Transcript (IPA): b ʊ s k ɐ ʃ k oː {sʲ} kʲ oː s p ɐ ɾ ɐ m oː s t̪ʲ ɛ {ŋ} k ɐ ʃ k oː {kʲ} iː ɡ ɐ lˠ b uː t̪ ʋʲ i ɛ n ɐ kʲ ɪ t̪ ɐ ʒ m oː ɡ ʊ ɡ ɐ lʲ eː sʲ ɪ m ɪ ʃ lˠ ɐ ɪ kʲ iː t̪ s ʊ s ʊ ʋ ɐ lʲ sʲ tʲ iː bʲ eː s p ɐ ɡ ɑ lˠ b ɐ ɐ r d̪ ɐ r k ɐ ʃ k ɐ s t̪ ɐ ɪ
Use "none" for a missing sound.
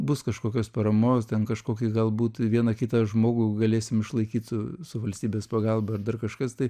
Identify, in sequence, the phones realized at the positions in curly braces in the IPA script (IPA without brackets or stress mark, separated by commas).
none, n, kʲ